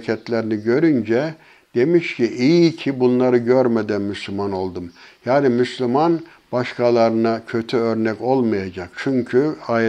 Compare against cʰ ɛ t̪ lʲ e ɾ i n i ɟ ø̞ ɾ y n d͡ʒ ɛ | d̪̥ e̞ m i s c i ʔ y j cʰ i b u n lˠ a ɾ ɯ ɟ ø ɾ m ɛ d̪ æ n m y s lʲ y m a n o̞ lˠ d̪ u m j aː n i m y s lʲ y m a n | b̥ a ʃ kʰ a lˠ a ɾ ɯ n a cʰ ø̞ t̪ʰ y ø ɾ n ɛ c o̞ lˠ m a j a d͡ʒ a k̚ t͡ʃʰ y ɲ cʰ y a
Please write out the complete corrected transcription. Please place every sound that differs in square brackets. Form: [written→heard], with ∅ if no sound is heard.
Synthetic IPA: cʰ ɛ t̪ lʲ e ɾ i n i ɟ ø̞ ɾ y n d͡ʒ ɛ | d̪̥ e̞ m i [s→ʃ] c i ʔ [y→i] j cʰ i b u n lˠ a ɾ ɯ ɟ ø ɾ m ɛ d̪ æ n m y s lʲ y m a n o̞ lˠ d̪ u m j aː n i m y s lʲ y m a n | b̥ a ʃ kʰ a lˠ a ɾ ɯ n a cʰ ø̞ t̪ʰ y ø ɾ n ɛ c o̞ lˠ m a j a d͡ʒ a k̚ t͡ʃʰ y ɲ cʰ y a